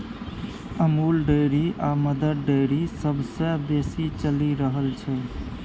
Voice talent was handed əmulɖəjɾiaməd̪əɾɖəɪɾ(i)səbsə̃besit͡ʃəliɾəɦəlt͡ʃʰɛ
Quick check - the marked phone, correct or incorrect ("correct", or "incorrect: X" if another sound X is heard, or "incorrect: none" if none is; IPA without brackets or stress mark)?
correct